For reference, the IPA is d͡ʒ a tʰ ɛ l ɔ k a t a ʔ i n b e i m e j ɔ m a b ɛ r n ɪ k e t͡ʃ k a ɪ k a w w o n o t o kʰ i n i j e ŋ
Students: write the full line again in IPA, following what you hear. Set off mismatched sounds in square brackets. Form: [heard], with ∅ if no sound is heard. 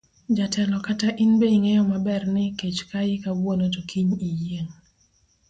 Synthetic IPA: d͡ʒ a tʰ ɛ l ɔ k a t a ʔ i n b e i [ŋ] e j ɔ m a b ɛ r n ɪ k e t͡ʃ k a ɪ k a w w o n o t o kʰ i [ɲ] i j e ŋ